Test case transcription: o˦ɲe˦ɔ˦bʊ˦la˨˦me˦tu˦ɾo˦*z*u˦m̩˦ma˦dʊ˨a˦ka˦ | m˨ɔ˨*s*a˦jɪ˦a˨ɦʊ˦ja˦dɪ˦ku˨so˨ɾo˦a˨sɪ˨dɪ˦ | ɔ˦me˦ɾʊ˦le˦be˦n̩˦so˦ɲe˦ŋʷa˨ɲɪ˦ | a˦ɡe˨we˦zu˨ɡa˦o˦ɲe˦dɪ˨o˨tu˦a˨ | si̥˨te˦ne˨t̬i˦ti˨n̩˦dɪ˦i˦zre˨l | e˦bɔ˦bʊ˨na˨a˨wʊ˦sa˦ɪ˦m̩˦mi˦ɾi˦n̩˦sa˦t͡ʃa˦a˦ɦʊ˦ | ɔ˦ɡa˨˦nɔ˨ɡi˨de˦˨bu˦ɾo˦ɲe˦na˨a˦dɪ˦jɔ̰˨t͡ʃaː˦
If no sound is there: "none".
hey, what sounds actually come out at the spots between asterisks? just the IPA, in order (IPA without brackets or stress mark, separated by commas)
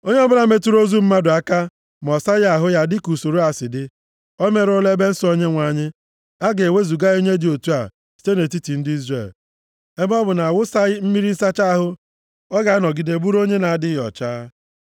z, s